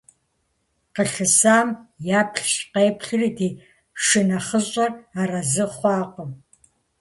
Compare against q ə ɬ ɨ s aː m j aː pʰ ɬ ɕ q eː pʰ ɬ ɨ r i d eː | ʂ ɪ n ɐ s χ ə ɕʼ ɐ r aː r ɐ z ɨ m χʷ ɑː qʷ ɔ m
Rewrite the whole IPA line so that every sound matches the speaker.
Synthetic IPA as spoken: q ə ɬ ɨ s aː m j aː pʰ ɬ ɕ q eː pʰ ɬ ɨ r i d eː | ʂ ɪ n ɐ χ ə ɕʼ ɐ r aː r ɐ z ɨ χʷ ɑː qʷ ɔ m